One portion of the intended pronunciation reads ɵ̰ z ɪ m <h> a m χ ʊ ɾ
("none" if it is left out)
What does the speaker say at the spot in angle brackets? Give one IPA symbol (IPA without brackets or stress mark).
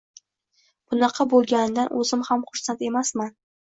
h